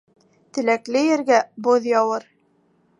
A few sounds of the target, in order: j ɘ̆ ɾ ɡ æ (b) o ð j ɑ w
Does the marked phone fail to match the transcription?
no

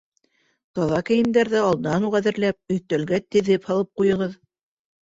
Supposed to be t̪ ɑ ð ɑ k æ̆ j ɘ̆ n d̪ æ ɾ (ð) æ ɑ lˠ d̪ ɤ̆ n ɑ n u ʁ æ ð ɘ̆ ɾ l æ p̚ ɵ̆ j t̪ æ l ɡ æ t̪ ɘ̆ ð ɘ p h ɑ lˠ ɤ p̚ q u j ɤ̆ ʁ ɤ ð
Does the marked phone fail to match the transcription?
no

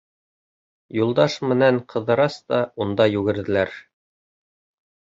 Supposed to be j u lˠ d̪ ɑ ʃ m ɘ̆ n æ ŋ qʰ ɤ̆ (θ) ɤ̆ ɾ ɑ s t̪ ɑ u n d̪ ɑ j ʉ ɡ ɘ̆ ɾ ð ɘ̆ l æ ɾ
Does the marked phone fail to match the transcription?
yes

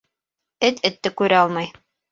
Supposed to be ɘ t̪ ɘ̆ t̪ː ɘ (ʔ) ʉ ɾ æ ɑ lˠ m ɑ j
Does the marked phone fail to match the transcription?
yes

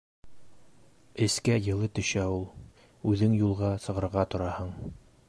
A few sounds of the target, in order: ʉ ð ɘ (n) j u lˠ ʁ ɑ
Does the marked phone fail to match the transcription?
yes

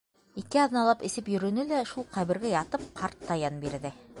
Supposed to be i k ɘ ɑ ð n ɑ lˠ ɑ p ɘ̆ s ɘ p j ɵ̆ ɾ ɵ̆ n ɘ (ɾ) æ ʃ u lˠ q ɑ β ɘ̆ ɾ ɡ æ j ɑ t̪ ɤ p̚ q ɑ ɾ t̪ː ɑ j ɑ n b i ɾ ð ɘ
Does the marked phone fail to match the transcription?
yes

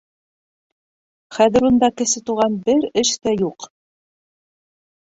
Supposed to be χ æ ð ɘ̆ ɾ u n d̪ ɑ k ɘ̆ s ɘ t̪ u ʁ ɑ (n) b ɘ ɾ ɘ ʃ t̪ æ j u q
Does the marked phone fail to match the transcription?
no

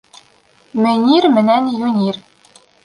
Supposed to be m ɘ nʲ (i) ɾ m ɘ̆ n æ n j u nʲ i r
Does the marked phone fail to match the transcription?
no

